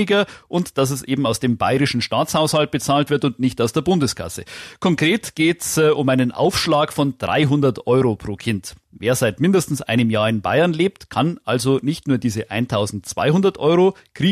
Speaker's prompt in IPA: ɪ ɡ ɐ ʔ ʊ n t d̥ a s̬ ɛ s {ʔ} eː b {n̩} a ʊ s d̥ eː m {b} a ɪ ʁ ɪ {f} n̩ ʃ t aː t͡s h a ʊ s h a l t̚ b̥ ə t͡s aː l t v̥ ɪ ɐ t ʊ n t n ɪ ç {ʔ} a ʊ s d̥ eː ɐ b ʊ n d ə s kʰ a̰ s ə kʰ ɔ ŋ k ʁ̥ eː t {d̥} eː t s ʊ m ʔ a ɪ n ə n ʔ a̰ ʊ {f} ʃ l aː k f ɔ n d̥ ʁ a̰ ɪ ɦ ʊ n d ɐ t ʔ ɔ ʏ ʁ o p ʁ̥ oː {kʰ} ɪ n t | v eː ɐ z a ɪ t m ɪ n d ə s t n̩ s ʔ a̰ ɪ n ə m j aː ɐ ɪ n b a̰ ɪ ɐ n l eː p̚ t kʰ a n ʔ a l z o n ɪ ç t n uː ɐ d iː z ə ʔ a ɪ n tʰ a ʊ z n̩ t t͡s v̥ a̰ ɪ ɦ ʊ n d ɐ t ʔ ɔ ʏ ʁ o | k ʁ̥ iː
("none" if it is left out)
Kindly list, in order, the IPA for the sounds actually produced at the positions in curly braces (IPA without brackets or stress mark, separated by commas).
ʔ, m̩, b, ʃ, t, ɡ̥, f, kʰ